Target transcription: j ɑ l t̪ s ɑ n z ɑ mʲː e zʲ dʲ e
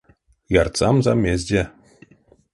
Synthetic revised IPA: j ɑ r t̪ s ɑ m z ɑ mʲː e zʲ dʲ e